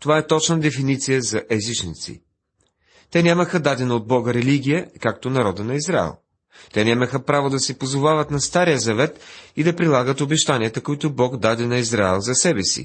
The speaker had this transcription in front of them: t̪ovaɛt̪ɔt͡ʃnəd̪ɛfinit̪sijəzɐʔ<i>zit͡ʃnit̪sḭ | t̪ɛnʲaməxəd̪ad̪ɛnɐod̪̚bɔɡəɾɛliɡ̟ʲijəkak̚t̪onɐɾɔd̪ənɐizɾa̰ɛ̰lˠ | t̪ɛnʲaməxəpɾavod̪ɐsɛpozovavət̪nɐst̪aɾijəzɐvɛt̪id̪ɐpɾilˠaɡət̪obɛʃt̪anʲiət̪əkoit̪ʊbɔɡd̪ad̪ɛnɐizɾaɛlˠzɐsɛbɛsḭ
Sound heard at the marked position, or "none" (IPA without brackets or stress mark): ɛ